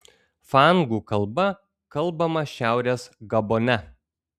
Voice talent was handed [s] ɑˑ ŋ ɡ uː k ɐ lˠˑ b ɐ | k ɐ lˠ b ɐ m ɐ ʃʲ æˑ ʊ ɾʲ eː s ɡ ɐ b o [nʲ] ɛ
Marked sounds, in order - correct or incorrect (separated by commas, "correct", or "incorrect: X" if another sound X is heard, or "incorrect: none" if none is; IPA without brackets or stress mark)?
incorrect: f, correct